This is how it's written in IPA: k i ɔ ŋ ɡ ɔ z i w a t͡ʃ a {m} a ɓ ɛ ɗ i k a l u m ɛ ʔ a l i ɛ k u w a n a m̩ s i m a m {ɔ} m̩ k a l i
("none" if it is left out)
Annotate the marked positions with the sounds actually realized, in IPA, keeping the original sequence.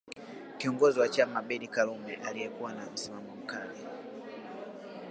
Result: m, ɔ

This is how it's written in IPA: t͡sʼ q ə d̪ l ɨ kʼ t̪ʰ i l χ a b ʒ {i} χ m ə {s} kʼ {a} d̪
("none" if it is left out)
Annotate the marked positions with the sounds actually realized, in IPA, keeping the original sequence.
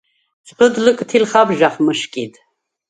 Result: a, ʃ, i

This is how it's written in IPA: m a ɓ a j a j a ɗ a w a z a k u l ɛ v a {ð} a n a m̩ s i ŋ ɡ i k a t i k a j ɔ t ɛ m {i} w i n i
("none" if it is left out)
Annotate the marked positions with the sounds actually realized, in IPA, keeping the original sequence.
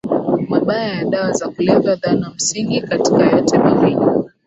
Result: ð, a

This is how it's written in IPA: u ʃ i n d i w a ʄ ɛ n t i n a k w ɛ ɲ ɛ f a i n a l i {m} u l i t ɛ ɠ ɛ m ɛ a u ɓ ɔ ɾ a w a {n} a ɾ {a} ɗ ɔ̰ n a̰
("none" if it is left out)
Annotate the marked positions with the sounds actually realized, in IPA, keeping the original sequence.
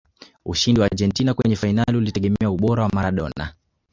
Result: none, m, a

